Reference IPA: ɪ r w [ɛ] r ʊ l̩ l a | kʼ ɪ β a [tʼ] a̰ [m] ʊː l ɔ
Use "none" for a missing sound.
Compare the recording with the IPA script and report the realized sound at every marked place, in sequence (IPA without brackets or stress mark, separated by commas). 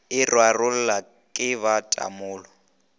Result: a, tʼ, m